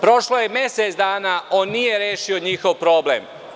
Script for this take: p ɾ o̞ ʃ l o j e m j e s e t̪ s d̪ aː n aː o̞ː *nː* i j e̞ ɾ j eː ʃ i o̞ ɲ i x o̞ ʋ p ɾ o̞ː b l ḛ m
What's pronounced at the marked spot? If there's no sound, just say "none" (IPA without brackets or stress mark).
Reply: nː